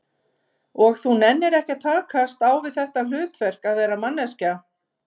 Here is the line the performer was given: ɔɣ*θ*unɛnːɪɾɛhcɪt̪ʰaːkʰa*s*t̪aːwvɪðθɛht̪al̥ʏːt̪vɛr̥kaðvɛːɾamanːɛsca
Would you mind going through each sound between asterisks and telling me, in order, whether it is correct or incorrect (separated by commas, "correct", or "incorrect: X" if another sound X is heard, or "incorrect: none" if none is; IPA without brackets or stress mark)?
correct, correct